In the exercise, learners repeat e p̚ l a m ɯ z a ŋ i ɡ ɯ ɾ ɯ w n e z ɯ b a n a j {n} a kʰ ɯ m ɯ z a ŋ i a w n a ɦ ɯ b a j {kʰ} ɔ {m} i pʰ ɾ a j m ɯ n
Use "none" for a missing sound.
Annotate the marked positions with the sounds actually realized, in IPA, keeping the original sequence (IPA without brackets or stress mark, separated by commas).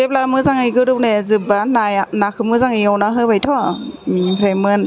n, tʰ, m